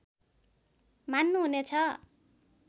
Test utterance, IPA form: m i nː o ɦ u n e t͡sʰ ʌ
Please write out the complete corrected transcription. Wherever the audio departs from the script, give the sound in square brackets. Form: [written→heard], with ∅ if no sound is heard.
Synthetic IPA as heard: m [i→a] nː [o→u] ɦ u n e t͡sʰ ʌ